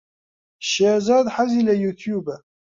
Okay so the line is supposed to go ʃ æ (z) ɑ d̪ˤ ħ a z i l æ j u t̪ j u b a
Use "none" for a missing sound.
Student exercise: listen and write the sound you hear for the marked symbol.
z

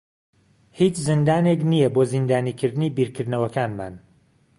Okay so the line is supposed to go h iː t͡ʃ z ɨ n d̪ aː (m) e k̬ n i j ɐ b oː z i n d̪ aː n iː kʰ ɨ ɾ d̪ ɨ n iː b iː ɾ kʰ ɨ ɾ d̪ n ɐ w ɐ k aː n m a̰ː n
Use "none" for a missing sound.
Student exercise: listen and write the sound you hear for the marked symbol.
n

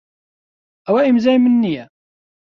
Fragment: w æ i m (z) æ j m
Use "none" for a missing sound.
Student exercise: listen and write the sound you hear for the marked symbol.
z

